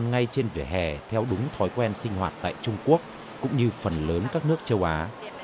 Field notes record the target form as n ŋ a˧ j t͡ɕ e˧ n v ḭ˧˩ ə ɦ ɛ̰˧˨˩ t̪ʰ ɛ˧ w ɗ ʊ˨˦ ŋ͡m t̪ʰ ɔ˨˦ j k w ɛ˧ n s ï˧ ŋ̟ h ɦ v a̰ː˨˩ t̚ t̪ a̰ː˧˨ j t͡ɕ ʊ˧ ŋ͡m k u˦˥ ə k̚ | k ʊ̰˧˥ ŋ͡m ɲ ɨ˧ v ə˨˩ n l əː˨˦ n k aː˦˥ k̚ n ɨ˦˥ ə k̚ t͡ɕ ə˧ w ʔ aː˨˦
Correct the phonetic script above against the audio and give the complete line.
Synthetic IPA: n ŋ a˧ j t͡ɕ e˧ n v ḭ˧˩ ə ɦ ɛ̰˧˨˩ t̪ʰ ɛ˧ w ɗ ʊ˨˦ ŋ͡m t̪ʰ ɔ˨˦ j k w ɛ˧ n s ï˧ ŋ̟ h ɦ w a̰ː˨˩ t̚ t̪ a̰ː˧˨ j t͡ɕ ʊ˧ ŋ͡m k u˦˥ ə k̚ | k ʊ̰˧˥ ŋ͡m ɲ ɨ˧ f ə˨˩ n l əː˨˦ n k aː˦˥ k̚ n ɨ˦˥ ə k̚ t͡ɕ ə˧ w ʔ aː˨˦